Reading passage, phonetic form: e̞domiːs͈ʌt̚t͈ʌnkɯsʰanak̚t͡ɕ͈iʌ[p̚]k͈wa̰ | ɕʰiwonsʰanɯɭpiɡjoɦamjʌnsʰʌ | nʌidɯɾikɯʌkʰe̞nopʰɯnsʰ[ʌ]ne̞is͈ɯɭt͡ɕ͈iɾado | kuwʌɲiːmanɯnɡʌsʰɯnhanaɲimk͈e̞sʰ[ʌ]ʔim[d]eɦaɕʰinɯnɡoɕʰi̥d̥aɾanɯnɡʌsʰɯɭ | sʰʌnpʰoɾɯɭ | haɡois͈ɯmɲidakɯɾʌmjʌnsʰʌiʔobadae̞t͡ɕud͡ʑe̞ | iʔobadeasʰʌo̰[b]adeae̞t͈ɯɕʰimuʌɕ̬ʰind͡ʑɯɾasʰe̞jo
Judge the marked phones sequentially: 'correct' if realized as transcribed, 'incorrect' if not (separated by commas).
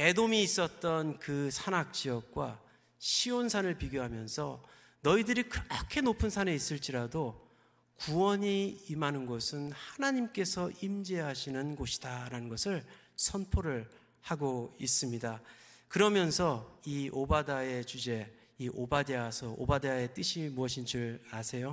incorrect, incorrect, correct, incorrect, correct